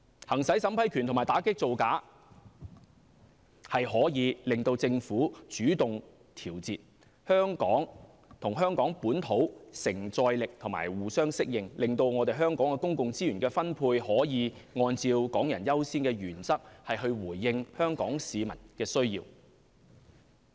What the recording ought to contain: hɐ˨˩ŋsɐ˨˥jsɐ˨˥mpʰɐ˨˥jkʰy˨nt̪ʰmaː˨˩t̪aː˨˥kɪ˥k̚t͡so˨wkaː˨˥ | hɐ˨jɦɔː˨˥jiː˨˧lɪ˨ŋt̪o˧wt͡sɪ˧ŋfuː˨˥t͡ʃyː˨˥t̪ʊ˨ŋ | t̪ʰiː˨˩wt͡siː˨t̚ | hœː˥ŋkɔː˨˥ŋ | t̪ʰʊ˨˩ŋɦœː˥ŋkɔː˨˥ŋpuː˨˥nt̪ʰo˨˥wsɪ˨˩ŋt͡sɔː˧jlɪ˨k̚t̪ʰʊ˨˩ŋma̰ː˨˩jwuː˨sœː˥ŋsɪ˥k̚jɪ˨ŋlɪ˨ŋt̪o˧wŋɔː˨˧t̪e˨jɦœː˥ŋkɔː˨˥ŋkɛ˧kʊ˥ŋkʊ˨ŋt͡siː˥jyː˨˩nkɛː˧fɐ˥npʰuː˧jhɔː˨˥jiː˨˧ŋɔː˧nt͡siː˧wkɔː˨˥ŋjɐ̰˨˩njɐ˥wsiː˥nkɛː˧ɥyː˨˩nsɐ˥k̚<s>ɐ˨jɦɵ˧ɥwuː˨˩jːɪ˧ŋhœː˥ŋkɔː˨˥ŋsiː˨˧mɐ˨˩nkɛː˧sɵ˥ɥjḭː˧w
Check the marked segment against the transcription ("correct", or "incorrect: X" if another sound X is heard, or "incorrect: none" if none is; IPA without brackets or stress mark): incorrect: h